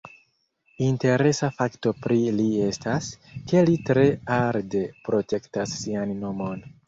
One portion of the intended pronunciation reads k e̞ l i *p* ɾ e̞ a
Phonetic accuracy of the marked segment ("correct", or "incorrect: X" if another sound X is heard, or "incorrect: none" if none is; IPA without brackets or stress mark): incorrect: t